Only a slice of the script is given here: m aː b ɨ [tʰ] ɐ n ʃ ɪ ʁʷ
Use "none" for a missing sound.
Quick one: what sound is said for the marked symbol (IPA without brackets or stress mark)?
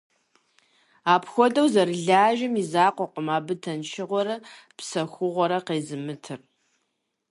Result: tʰ